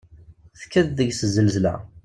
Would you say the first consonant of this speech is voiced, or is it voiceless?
voiceless